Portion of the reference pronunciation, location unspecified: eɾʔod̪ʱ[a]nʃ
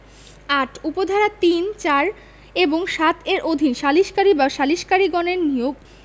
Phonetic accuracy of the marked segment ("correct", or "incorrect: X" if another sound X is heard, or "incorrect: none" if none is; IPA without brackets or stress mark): incorrect: i